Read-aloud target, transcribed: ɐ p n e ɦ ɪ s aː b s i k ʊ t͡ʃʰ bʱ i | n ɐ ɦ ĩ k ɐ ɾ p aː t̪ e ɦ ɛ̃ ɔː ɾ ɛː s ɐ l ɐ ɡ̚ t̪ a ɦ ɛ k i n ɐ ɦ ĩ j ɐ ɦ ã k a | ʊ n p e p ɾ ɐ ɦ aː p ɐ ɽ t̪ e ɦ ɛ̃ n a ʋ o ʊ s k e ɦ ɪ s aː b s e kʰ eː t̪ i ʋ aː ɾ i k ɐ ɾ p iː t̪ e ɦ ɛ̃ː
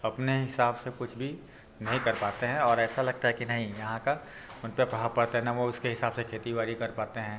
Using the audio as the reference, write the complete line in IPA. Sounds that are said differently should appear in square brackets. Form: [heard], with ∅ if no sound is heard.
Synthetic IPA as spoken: ɐ p n e ɦ ɪ s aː b s [e] k ʊ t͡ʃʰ bʱ i | n ɐ ɦ ĩ k ɐ ɾ p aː t̪ e ɦ ɛ̃ ɔː ɾ ɛː s [a] l ɐ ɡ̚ t̪ a ɦ ɛ k i n ɐ ɦ ĩ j ɐ ɦ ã k a | ʊ n p e p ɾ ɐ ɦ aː p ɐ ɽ t̪ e ɦ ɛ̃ n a ʋ o ʊ s k e ɦ ɪ s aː b s e kʰ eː t̪ i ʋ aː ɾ i k ɐ ɾ p [aː] t̪ e ɦ ɛ̃ː